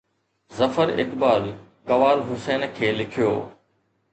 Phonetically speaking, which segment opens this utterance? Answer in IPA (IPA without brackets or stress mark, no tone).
z